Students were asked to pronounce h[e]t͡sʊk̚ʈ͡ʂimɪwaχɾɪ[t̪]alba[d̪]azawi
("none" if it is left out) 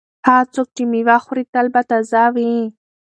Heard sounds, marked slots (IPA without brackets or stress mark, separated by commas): a, t̪, t̪